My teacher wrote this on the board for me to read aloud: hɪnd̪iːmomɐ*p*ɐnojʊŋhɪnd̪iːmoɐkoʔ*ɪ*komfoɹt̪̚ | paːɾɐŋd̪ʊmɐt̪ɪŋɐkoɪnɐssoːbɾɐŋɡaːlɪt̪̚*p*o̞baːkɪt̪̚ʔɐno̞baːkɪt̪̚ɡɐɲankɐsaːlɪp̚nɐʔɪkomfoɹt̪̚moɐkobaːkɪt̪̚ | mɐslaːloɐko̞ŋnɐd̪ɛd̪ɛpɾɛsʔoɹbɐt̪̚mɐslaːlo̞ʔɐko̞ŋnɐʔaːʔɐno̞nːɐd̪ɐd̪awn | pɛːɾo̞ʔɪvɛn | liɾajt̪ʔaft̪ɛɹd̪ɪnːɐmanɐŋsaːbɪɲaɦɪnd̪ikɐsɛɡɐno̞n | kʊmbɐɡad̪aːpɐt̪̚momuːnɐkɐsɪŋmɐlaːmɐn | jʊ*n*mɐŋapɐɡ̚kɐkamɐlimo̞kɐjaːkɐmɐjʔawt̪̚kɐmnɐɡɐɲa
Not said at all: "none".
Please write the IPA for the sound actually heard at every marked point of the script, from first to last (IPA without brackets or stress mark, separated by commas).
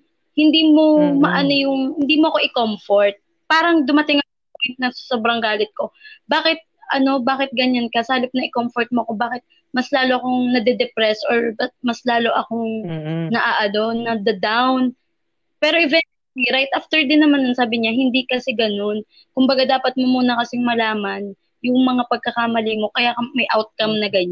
ʔ, ɪ, k, ŋ